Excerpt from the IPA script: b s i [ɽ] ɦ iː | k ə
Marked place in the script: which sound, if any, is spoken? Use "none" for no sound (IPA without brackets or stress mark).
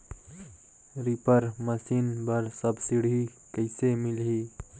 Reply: ɽ